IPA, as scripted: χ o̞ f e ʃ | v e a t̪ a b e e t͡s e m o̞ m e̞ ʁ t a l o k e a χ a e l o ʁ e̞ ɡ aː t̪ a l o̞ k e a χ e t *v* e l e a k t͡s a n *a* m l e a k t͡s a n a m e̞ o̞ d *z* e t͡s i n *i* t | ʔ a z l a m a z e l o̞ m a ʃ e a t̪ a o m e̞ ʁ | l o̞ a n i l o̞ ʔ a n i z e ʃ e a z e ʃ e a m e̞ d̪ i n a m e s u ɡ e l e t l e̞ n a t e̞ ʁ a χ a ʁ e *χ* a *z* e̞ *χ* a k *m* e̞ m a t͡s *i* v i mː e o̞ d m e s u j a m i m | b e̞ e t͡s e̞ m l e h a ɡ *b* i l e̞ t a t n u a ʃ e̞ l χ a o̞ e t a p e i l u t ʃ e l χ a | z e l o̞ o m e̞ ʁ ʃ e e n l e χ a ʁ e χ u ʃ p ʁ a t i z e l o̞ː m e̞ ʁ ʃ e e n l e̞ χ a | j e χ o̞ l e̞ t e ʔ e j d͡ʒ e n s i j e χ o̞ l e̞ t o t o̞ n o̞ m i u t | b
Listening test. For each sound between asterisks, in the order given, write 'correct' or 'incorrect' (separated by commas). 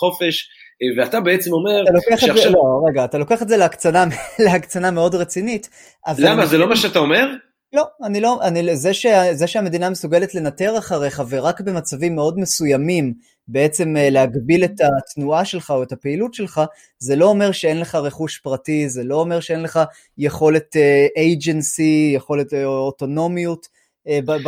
incorrect, correct, incorrect, correct, correct, incorrect, incorrect, incorrect, incorrect, correct